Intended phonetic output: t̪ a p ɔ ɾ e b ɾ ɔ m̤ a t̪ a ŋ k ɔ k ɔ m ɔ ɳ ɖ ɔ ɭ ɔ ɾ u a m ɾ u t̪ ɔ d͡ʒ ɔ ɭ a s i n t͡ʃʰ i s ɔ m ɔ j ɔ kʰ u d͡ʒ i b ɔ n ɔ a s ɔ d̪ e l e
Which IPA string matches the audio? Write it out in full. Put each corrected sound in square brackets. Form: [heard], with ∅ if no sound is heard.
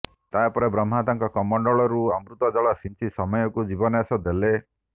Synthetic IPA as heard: t̪ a p ɔ ɾ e b ɾ ɔ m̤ a t̪ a ŋ k ɔ k ɔ m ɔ ɳ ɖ ɔ ɭ ɔ ɾ u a m ɾ u t̪ ɔ d͡ʒ ɔ ɭ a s i n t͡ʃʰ i s ɔ m ɔ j ɔ [k] u d͡ʒ i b ɔ n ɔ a s ɔ d̪ e l e